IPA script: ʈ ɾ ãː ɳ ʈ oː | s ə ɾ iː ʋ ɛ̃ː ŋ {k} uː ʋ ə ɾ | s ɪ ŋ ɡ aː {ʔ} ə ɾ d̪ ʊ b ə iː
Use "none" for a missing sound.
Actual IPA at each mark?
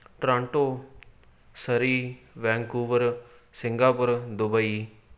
k, p

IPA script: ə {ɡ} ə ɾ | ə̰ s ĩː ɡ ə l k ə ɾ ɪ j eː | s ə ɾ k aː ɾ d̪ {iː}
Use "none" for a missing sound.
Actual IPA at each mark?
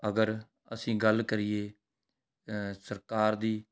ɡ, iː

